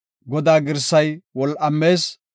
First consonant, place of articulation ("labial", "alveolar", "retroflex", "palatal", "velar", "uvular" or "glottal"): velar